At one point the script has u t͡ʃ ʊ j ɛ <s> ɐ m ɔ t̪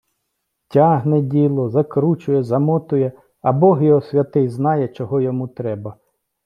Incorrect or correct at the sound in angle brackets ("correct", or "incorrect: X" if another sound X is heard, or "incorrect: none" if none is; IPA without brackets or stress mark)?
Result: incorrect: z